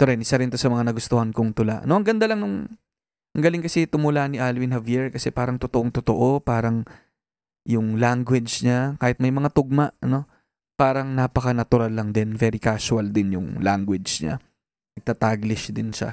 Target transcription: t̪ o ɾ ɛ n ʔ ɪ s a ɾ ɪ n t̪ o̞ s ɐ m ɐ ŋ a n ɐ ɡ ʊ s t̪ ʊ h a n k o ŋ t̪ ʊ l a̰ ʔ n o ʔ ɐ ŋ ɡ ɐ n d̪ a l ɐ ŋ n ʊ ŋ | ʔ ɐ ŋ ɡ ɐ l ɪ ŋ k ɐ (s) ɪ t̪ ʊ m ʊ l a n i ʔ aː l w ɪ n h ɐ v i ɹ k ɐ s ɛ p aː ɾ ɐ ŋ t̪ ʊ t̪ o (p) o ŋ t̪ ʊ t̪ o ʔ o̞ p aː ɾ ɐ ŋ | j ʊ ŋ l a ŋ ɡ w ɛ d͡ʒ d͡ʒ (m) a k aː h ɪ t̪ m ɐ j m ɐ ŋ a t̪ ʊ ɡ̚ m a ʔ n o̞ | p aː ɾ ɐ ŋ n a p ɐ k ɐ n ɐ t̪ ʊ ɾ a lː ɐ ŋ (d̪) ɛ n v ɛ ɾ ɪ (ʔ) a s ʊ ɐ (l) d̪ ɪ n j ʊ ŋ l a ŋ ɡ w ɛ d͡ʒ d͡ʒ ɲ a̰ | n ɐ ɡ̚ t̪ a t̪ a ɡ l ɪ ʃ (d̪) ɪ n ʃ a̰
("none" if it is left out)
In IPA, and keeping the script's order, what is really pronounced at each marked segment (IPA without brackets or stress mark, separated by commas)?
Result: s, ʔ, ɲ, d̪, k, l, d̪